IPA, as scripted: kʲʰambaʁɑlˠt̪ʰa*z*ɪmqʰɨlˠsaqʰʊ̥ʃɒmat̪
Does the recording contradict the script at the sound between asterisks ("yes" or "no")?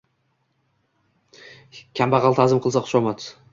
no